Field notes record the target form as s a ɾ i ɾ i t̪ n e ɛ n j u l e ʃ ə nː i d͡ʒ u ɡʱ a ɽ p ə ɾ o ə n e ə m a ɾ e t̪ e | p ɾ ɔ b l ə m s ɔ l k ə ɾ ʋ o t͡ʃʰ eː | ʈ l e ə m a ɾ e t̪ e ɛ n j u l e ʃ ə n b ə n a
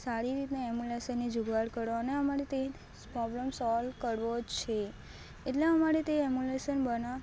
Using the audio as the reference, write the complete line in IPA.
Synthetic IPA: s a ɾ i ɾ i t̪ n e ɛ m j u l e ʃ ə nː i d͡ʒ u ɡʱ a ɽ k ə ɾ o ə n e ə m a ɾ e t̪ e | p ɾ ɔ b l ə m s ɔ l k ə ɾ ʋ o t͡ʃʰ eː | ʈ l e ə m a ɾ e t̪ e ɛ m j u l e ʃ ə n b ə n a